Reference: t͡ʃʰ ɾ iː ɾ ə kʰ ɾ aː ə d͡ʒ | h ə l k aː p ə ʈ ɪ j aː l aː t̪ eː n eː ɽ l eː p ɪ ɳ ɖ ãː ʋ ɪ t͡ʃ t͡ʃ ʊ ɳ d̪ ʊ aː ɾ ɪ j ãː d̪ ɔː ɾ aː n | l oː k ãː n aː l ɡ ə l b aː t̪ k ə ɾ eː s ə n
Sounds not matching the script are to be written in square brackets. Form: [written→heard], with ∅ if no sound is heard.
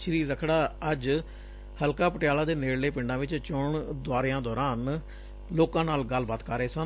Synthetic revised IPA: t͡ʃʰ ɾ iː ɾ ə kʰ [ɾ→ɽ] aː ə d͡ʒ | h ə l k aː p ə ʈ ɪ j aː l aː [t̪→d̪] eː n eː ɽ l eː p ɪ ɳ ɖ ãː ʋ ɪ t͡ʃ t͡ʃ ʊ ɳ d̪ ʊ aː ɾ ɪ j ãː d̪ ɔː ɾ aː n | l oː k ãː n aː l ɡ ə l b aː t̪ k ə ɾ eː s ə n